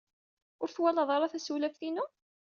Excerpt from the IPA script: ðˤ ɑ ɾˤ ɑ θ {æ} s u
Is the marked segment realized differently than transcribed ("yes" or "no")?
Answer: no